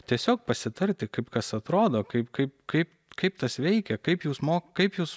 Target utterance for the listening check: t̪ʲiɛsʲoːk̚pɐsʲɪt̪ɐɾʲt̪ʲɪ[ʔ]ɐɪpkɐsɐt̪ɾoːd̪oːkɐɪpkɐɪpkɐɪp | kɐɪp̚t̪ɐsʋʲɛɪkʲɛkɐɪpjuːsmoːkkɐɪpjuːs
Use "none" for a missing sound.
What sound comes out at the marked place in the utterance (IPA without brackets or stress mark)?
k